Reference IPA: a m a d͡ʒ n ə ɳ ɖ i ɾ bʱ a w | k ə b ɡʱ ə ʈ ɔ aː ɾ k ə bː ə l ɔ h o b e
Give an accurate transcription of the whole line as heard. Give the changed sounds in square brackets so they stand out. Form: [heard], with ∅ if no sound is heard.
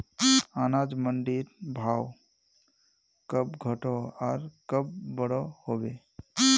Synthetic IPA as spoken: a [n] a d͡ʒ [m] ə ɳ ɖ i ɾ bʱ a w | k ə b ɡʱ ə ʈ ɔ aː ɾ k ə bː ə [ɽ] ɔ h o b e